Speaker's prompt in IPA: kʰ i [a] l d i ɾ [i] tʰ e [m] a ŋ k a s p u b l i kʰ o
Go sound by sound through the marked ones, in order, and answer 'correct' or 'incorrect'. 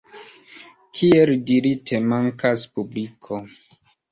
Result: incorrect, correct, correct

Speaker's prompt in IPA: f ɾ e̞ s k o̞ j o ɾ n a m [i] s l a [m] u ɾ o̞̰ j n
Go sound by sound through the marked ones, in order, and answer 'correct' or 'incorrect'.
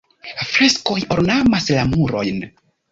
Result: incorrect, correct

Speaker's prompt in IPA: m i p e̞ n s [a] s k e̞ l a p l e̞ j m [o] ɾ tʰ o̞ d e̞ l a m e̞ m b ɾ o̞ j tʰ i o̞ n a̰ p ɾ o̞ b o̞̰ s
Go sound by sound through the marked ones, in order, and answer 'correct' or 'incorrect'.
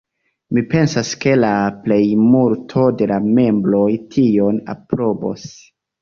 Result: correct, incorrect

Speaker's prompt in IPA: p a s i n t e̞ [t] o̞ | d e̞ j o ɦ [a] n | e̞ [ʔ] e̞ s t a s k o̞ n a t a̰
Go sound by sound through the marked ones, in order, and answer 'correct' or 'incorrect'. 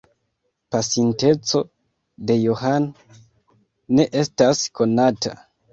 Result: incorrect, correct, correct

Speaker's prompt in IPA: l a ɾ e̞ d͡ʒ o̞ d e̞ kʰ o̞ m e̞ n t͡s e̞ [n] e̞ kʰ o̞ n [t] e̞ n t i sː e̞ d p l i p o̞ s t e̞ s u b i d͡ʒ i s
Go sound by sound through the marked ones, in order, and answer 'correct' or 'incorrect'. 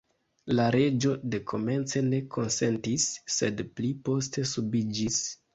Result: correct, incorrect

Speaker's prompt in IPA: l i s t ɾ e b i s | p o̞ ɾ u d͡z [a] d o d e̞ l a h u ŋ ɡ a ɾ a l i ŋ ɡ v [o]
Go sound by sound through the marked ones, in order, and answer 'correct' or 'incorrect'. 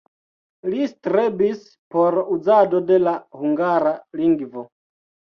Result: correct, correct

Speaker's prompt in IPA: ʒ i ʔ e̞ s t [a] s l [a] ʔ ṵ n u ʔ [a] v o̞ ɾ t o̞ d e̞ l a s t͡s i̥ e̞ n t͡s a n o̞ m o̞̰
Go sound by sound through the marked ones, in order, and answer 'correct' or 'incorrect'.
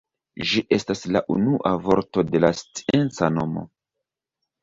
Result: correct, correct, correct

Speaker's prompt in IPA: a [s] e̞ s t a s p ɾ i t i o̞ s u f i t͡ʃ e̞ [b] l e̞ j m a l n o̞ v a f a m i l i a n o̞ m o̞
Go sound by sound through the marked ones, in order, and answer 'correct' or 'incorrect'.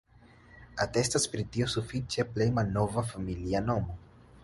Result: incorrect, incorrect

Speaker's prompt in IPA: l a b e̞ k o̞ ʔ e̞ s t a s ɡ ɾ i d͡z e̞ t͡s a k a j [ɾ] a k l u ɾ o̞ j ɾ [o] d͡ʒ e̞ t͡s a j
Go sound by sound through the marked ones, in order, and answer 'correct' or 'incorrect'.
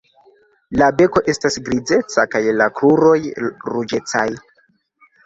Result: incorrect, incorrect

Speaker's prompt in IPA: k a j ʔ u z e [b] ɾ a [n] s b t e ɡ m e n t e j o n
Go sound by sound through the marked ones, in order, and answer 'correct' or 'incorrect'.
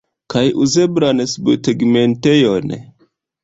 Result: correct, correct

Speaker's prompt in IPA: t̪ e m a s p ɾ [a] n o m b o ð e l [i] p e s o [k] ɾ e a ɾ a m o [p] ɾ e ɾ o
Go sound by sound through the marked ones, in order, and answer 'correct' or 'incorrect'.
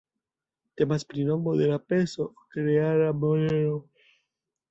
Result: incorrect, incorrect, correct, incorrect

